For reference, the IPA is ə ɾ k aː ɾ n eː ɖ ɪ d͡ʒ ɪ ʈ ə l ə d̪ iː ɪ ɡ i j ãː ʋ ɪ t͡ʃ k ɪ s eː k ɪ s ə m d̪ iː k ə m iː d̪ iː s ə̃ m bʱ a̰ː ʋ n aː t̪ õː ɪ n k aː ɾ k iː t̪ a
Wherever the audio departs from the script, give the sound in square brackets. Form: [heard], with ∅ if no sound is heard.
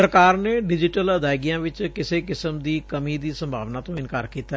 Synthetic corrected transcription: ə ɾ k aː ɾ n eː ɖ ɪ d͡ʒ ɪ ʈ ə l ə d̪ [aː] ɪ ɡ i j ãː ʋ ɪ t͡ʃ k ɪ s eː k ɪ s ə m d̪ iː k ə m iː d̪ iː s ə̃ m bʱ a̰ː ʋ n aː t̪ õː ɪ n k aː ɾ k iː t̪ a

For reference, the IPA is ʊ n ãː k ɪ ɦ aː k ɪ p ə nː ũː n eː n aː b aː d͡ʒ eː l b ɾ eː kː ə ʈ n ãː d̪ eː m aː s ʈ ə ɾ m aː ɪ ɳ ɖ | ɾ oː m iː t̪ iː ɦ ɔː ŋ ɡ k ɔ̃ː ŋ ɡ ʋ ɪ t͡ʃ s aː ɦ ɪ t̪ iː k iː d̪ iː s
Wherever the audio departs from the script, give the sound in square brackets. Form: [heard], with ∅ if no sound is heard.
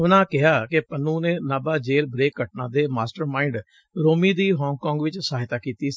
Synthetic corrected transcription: ʊ n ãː k ɪ ɦ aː k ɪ p ə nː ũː n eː n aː b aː d͡ʒ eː l b ɾ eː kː ə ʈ n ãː d̪ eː m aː s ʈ ə ɾ m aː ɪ ɳ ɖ | ɾ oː m iː [d̪] iː ɦ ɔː ŋ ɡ k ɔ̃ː ŋ ɡ ʋ ɪ t͡ʃ s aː ɦ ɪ t̪ [aː] k iː [t̪] iː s

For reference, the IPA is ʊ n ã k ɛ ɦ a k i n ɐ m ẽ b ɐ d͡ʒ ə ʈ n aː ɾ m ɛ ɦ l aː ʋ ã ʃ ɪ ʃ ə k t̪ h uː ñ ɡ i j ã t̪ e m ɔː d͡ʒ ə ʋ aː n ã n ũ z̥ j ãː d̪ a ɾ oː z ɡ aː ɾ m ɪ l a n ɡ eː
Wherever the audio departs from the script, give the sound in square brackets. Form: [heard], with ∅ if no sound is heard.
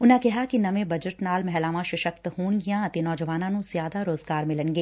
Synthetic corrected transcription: ʊ n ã k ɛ ɦ a k i n ɐ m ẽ b ɐ d͡ʒ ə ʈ n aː [l] m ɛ ɦ l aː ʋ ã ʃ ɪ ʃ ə k t̪ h uː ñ ɡ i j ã t̪ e [n] ɔː d͡ʒ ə ʋ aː n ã n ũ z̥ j [aː] d̪ a ɾ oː z ɡ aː ɾ m ɪ l [ə] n ɡ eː

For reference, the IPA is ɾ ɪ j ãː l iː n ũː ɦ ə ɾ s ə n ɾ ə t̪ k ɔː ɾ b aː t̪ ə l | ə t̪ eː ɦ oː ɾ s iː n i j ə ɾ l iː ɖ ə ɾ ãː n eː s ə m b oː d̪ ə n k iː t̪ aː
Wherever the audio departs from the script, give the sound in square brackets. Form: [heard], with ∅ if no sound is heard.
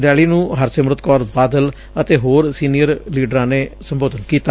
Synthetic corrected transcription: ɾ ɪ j [aː] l iː n ũː ɦ ə ɾ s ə [m] ɾ ə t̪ k ɔː ɾ b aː [d̪] ə l | ə t̪ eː ɦ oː ɾ s iː n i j ə ɾ l iː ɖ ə ɾ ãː n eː s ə m b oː d̪ ə n k iː t̪ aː

